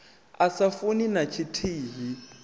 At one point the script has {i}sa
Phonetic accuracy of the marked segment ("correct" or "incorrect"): incorrect